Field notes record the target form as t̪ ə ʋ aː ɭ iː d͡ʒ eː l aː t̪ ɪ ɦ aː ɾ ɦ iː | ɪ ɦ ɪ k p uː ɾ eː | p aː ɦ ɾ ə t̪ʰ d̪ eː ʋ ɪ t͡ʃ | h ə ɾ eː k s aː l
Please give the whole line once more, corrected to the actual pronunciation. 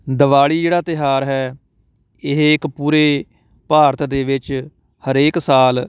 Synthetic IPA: d̪ ə ʋ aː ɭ iː d͡ʒ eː ɽ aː t̪ ɪ ɦ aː ɾ ɦ ɛː | ɪ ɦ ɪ k p uː ɾ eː | p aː ɾ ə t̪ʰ d̪ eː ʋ ɪ t͡ʃ | h ə ɾ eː k s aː l

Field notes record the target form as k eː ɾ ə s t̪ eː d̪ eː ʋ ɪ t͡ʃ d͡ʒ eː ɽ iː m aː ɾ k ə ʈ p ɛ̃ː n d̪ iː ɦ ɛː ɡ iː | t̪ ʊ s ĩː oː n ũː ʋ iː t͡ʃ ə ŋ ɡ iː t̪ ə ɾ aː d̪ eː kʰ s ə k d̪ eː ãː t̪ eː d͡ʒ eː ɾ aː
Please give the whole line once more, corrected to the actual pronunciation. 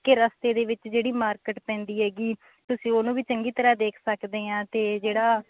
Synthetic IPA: k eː ɾ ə s t̪ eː d̪ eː ʋ ɪ t͡ʃ d͡ʒ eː ɽ iː m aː ɾ k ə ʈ p ɛ̃ː n d̪ iː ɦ ɛː ɡ iː | t̪ ʊ s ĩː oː n ũː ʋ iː t͡ʃ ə ŋ ɡ iː t̪ ə ɾ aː d̪ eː kʰ s ə k d̪ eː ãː t̪ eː d͡ʒ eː ɽ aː

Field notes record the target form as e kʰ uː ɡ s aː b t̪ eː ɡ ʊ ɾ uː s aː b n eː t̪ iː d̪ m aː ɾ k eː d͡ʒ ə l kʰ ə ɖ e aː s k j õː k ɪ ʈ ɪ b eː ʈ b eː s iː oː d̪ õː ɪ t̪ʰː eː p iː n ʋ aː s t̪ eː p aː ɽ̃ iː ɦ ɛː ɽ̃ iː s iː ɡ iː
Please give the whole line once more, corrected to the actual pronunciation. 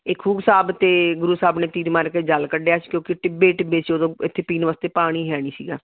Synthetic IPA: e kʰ uː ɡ s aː b t̪ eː ɡ ʊ ɾ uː s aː b n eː t̪ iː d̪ m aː ɾ k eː d͡ʒ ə l k ə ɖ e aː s k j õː k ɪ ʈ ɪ b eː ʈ b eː s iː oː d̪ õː ɪ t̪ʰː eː p iː n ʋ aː s t̪ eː p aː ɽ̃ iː ɦ ɛː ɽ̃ iː s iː ɡ aː

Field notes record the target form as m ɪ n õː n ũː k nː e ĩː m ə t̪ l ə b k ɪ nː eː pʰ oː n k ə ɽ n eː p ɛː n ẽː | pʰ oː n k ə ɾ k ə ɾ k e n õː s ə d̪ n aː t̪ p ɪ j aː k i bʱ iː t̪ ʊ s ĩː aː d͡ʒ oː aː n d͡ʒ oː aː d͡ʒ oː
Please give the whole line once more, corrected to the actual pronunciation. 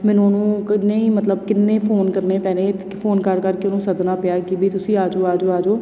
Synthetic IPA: m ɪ n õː n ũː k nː e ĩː m ə t̪ l ə b k ɪ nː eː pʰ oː n k ə ɾ n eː p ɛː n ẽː | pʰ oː n k ə ɾ k ə ɾ k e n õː s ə d̪ n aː p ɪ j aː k i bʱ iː t̪ ʊ s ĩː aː d͡ʒ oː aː d͡ʒ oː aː d͡ʒ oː

